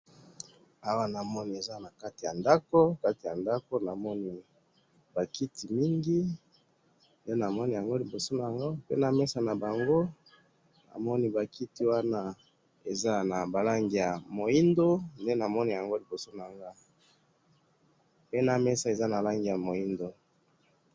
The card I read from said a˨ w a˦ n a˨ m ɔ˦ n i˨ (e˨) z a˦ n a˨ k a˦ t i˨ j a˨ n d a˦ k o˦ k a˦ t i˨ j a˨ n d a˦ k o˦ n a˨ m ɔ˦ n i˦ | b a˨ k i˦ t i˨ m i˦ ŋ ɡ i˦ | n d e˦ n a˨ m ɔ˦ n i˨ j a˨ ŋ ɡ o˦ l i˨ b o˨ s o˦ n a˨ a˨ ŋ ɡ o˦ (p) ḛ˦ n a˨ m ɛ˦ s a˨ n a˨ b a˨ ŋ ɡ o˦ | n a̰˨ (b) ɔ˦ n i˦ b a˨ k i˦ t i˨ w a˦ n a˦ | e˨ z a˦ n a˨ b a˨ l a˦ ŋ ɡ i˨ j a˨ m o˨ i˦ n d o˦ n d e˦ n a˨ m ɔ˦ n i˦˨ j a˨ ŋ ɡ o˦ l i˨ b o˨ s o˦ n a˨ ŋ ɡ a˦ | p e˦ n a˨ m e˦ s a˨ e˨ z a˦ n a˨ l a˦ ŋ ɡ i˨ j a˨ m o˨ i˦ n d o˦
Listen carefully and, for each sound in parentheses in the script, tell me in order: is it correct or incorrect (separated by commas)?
correct, correct, incorrect